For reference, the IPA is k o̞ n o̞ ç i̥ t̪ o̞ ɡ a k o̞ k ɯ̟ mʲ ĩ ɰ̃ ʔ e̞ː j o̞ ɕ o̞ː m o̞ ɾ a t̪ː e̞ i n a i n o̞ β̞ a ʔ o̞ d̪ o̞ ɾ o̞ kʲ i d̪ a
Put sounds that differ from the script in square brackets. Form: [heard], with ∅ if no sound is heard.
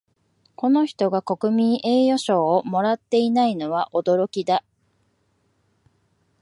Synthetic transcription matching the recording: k o̞ n o̞ ç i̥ t̪ o̞ ɡ a k o̞ k ɯ̟ mʲ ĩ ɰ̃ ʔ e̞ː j o̞ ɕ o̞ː m o̞ ɾ a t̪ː e̞ i n a i n o̞ β̞ a ʔ o̞ d̪ o̞ ɾ o̞ kʲ i d̪ a